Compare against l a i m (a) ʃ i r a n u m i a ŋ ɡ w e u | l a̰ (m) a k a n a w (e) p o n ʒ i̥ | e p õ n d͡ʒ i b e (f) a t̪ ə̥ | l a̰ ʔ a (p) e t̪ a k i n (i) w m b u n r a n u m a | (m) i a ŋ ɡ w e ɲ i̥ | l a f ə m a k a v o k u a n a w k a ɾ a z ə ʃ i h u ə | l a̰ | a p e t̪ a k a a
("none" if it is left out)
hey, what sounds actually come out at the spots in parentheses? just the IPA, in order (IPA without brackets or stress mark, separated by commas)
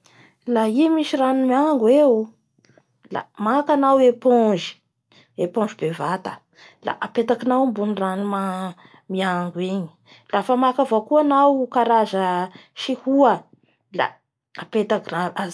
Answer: i, m, e, v, p, a, m